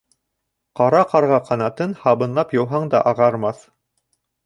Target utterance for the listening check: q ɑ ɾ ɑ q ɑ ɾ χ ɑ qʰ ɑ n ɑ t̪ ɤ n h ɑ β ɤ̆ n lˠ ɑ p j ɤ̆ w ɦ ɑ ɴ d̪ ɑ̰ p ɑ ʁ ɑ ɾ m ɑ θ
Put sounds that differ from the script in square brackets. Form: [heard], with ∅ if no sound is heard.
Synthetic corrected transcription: q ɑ ɾ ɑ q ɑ ɾ [ʁ] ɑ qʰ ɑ n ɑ t̪ ɤ n h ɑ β ɤ̆ n lˠ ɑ p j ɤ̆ w ɦ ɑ ɴ d̪ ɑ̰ [ʔ] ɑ ʁ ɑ ɾ m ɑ θ

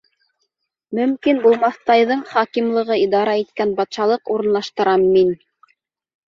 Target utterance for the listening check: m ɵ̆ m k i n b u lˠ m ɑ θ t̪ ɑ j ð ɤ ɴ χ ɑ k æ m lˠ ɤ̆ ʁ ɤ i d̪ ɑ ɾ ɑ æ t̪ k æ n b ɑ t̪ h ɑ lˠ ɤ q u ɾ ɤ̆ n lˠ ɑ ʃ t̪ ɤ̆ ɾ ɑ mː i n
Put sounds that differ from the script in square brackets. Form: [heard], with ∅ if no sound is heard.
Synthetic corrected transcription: m ɵ̆ m k i n b u lˠ m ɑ θ t̪ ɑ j ð ɤ ɴ χ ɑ k [i] m lˠ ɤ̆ ʁ ɤ i d̪ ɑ ɾ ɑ [i] t̪ k æ n b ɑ t̪ [ʃ] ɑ lˠ ɤ q u ɾ ɤ̆ n lˠ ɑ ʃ t̪ ɤ̆ ɾ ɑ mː i n

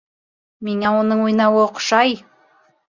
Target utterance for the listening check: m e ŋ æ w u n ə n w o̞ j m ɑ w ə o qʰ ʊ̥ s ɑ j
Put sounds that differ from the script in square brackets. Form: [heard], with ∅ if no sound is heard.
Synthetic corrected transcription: m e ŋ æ w [o] n ə [ɴ] w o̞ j [n] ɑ w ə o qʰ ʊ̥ [ʃ] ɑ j

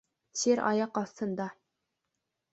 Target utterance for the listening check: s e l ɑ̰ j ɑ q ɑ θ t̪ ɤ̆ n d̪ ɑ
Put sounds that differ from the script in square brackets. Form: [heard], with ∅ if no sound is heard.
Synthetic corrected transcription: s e [ɾ] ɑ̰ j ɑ q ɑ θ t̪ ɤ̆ n d̪ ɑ

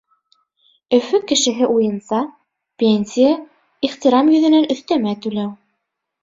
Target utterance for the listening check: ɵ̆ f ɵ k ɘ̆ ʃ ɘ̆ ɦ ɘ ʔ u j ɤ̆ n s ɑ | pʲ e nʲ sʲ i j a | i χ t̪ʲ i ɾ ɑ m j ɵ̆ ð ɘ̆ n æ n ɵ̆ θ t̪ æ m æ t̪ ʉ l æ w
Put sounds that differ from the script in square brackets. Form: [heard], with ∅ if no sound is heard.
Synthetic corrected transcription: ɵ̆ f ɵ k ɘ̆ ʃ ɘ̆ ɦ ɘ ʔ u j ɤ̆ n s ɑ | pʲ e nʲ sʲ i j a | i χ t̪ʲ i ɾ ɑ m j ɵ̆ ð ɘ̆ n æ n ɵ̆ θ t̪ æ m æ t̪ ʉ l æ w

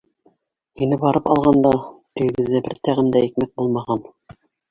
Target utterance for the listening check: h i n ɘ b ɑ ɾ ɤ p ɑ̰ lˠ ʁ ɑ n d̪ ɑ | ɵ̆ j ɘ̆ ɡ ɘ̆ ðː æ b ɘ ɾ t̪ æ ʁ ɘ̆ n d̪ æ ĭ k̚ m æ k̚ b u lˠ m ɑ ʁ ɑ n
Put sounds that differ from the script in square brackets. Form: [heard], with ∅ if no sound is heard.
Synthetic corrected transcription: h i n ɘ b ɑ ɾ ɤ p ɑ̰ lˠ ʁ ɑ n d̪ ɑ | ɵ̆ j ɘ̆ ɡ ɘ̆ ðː æ b ɘ ɾ t̪ æ ʁ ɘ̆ n d̪ æ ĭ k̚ m æ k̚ b u lˠ m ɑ ʁ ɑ n

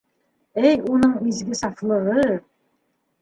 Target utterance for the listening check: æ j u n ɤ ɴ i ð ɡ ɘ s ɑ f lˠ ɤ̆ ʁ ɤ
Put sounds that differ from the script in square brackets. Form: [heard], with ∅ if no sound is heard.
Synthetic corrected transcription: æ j u n ɤ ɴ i [z] ɡ ɘ s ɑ f lˠ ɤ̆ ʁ ɤ

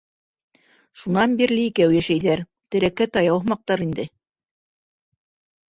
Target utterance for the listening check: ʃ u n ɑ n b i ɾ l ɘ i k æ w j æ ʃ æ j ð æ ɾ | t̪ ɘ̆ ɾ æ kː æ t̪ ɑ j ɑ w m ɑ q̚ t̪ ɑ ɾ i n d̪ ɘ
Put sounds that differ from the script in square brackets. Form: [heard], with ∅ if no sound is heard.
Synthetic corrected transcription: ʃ u n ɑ n b i ɾ l ɘ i k æ w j æ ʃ æ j ð æ ɾ | t̪ ɘ̆ ɾ æ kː æ t̪ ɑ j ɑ w m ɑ q̚ t̪ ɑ ɾ i n d̪ ɘ

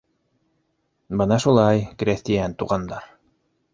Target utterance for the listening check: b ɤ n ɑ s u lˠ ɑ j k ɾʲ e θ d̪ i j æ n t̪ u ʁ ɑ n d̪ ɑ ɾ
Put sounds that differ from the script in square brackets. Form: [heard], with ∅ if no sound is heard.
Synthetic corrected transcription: b ɤ n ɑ [ʃ] u lˠ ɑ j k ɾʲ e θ [t̪] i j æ n t̪ u ʁ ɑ n d̪ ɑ ɾ

